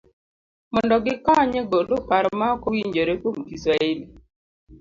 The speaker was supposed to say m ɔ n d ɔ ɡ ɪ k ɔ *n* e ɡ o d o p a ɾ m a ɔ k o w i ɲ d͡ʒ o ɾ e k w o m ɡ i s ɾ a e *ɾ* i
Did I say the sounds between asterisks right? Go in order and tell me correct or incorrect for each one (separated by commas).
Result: incorrect, incorrect